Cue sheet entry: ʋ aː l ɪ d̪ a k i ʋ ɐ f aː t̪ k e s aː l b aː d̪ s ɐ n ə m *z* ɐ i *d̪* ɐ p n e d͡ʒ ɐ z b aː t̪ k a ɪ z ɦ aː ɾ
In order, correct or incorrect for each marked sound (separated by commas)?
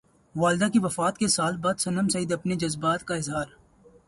incorrect, correct